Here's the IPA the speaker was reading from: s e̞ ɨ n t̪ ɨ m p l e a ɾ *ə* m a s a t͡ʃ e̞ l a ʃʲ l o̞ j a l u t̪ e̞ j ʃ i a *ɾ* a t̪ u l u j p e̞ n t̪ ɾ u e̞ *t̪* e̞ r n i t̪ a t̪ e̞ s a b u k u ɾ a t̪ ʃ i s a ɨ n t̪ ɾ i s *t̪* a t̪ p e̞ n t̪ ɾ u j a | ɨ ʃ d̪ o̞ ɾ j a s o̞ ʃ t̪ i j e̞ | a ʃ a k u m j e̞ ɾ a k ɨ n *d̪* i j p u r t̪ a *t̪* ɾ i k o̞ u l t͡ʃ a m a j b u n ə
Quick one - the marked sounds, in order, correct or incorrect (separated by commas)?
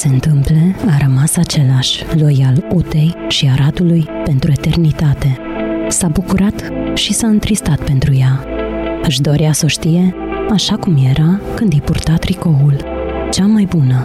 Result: correct, correct, correct, correct, correct, correct